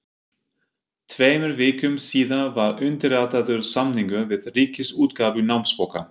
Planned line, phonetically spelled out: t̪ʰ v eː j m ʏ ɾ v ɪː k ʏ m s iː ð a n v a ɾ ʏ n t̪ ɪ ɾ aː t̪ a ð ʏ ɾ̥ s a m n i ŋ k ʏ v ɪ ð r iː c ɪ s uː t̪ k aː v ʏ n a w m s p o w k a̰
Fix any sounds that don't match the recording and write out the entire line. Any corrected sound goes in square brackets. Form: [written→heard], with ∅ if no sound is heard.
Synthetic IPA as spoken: t̪ʰ v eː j m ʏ ɾ v ɪː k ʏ m s iː ð a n v a ɾ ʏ n t̪ ɪ ɾ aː t̪ a ð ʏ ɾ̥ s a m n i ŋ k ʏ v ɪ ð r iː c ɪ s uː t̪ k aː v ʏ n a w m s p o w k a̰